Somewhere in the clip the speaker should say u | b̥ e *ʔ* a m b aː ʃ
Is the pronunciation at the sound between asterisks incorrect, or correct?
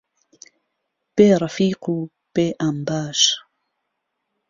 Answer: correct